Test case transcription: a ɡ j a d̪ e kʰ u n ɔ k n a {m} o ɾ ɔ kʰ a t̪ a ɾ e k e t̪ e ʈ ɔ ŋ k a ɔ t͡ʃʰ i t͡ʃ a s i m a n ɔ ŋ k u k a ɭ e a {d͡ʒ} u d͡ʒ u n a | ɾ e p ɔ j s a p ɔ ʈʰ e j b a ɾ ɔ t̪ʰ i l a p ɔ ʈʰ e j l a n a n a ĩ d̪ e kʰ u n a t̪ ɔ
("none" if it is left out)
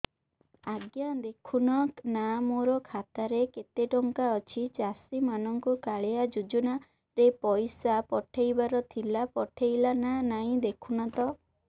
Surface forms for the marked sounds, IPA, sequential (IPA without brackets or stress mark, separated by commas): m, d͡ʒ